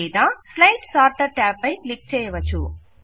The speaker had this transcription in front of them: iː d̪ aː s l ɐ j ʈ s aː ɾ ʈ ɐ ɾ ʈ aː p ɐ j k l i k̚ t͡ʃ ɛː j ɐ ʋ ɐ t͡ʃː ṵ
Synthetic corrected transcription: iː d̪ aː s l ɐ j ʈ s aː ɾ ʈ ɐ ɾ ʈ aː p ɐ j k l i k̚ t͡ʃ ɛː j ɐ ʋ ɐ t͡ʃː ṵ